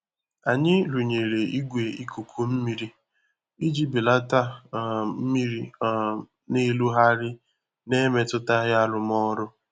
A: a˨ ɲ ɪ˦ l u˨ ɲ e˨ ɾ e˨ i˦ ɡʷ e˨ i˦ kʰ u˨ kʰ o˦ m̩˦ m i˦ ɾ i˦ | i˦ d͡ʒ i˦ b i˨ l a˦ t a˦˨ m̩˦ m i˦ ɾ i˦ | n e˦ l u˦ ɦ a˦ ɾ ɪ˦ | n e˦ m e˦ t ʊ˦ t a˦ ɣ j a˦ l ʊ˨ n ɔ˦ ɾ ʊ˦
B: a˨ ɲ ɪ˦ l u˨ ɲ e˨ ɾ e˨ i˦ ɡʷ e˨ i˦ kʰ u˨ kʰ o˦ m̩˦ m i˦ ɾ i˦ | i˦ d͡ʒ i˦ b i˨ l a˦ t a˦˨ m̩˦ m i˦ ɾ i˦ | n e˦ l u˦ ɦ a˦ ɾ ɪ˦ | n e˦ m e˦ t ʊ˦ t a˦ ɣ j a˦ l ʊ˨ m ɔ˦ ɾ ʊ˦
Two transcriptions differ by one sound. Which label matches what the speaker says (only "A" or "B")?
B